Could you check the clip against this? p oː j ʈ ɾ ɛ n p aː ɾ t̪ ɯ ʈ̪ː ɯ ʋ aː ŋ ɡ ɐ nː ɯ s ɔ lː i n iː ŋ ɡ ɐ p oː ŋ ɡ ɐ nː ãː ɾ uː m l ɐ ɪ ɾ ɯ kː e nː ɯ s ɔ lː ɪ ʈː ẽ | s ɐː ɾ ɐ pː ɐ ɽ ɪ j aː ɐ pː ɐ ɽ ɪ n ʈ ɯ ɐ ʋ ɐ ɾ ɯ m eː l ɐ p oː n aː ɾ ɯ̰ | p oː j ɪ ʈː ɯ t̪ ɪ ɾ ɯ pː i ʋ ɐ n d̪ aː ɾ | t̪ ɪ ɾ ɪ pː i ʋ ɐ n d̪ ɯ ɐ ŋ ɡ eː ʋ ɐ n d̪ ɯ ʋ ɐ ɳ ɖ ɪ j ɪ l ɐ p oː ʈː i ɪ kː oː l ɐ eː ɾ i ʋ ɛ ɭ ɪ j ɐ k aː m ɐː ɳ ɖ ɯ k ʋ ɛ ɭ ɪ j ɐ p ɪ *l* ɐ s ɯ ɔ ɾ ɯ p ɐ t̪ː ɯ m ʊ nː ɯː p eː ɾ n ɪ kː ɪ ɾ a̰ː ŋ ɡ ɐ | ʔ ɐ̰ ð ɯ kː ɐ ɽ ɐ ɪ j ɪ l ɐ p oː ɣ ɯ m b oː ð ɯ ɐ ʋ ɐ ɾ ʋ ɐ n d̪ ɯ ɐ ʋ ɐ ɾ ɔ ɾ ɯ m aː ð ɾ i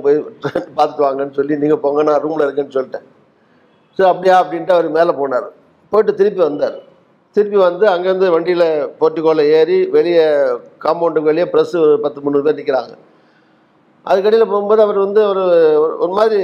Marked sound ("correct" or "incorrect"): incorrect